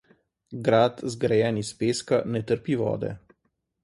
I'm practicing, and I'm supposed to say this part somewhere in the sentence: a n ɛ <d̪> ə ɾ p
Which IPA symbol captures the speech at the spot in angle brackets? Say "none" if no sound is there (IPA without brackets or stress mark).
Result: t̪